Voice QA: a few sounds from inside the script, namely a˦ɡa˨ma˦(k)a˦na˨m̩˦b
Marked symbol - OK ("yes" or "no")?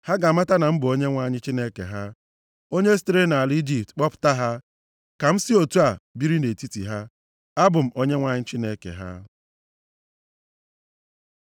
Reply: no